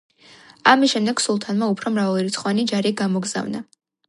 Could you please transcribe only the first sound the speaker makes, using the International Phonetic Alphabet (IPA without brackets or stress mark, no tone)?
a